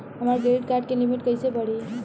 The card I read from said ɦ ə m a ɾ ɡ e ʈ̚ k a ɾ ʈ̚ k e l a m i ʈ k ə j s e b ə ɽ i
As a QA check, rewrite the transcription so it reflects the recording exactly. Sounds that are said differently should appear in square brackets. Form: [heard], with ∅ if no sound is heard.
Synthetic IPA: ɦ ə m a ɾ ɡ e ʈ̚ k a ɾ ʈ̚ k e l [i] m i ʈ k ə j s e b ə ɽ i